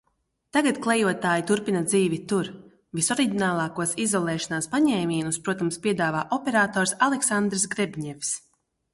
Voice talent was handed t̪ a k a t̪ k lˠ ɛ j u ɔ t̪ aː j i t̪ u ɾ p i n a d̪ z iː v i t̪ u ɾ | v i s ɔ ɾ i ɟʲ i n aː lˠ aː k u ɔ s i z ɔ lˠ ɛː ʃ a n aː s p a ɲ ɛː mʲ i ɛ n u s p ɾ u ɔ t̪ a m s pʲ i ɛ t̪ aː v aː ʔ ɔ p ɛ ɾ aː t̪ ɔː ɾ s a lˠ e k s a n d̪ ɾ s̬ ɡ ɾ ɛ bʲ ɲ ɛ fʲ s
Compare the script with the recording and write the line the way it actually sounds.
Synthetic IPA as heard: t̪ a ɡ a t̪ k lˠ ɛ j u ɔ t̪ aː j i t̪ u ɾ p i n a d̪ z iː v i t̪ u ɾ | v i s ɔ ɾ i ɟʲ i n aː lˠ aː k u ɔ s i z ɔ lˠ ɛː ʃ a n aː s p a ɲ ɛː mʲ i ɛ n u s p ɾ u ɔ t̪ a m s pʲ i ɛ d̪ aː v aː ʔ ɔ p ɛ ɾ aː t̪ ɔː ɾ s a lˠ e k s a n d̪ ɾ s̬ ɡ ɾ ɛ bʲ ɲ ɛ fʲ s